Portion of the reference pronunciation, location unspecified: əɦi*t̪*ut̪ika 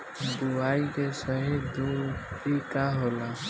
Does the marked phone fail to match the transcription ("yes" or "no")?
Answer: yes